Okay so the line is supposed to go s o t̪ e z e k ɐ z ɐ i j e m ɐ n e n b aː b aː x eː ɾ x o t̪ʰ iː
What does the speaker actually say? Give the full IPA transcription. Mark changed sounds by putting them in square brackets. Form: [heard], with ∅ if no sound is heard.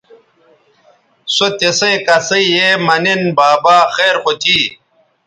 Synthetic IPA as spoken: s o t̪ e [s] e k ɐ [s] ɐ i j e m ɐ n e n b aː b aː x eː ɾ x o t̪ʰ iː